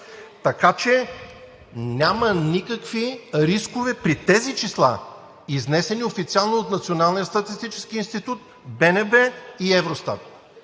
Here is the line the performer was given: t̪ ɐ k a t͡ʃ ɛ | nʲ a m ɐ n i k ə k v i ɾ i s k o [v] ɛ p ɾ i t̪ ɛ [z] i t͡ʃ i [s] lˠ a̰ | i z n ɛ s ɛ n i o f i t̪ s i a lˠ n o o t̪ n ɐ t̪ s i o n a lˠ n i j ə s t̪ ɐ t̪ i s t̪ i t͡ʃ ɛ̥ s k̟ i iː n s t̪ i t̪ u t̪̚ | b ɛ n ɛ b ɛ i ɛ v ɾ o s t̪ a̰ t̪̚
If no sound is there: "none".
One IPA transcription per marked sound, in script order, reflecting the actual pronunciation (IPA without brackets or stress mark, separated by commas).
v, z, s